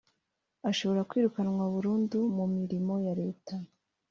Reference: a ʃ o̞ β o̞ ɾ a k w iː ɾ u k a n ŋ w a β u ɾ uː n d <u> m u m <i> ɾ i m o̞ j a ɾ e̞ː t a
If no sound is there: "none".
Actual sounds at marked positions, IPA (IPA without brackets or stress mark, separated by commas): u, i